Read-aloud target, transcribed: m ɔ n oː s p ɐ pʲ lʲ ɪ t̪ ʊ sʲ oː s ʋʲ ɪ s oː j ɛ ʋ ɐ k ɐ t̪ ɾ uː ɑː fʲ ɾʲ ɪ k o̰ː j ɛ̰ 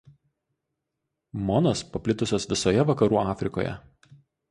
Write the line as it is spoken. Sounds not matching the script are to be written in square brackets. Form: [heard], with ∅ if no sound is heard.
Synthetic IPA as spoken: m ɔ n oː s p ɐ pʲ lʲ ɪ t̪ ʊ sʲ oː s ʋʲ ɪ s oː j ɛ ʋ ɐ k ɐ [∅] ɾ uː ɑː fʲ ɾʲ ɪ k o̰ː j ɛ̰